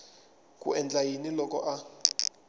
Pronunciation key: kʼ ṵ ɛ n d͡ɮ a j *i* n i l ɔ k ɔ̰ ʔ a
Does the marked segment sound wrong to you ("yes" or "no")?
no